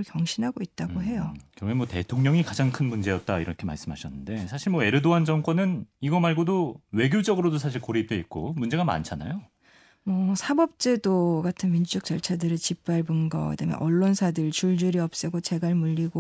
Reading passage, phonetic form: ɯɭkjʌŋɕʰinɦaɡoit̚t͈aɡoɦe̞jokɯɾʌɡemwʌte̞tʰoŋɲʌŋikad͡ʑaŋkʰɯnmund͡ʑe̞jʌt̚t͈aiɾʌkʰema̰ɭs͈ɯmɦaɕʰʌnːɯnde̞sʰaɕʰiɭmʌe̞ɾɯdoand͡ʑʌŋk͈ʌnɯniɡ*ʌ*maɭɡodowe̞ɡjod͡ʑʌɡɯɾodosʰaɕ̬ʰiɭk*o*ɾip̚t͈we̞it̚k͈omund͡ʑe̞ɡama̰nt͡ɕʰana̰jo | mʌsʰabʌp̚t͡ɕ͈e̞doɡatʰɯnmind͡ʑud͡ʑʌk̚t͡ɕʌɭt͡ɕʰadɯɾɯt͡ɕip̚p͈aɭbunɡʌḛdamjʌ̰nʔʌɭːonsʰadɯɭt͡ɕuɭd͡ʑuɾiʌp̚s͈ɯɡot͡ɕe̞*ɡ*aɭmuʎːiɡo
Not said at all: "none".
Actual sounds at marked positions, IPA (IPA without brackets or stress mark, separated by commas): ʌ, o, ɡ